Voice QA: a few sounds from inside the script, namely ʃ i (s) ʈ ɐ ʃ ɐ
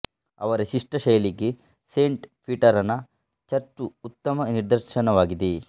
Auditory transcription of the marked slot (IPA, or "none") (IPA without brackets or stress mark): ʂ